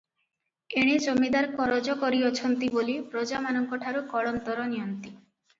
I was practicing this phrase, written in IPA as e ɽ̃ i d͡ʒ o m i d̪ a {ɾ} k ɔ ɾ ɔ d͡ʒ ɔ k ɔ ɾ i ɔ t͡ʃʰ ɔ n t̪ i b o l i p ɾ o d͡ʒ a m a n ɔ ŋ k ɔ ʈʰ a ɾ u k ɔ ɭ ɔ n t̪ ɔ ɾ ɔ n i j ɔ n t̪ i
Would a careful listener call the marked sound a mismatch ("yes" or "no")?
no